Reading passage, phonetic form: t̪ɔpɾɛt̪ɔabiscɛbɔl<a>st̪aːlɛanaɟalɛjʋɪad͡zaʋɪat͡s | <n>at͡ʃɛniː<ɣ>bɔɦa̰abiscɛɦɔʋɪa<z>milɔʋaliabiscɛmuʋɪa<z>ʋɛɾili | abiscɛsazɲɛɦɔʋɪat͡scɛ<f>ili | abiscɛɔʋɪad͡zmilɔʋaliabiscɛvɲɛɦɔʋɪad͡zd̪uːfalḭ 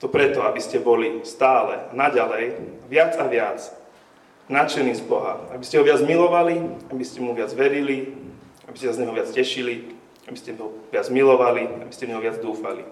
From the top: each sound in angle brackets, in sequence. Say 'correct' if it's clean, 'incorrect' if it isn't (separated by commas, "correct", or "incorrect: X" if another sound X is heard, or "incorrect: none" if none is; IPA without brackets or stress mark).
incorrect: i, correct, incorrect: z, incorrect: d͡z, incorrect: d͡z, incorrect: ʃ